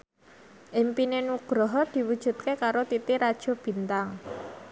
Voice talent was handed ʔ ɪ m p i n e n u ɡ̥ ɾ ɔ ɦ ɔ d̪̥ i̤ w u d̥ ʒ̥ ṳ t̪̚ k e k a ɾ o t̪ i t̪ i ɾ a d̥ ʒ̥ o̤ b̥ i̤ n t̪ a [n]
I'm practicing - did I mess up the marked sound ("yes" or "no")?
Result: yes